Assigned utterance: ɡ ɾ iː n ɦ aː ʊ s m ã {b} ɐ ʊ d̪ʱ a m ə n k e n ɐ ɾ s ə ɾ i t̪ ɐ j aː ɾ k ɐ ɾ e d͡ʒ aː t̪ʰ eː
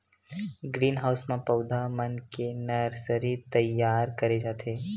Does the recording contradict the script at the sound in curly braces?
yes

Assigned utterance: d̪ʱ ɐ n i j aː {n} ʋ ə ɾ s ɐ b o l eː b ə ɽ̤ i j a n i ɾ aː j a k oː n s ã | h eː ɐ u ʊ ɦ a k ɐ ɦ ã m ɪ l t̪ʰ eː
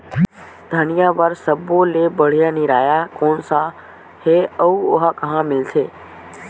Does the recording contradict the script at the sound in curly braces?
yes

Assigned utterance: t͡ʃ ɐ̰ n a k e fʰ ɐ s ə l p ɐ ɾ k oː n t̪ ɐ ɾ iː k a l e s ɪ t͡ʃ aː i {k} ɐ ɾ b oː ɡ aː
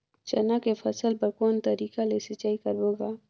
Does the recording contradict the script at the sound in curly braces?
no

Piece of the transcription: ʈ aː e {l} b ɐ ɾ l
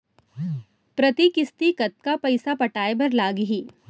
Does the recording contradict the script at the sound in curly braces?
yes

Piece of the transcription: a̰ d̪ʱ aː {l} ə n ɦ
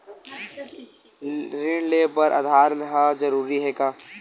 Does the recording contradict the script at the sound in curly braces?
yes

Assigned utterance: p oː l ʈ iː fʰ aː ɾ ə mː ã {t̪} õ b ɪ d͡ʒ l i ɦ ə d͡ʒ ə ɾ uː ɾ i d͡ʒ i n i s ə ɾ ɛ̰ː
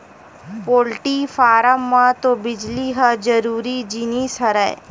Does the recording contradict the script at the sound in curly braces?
no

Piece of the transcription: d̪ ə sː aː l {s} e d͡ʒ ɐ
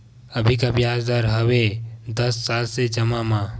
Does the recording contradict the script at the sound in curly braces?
no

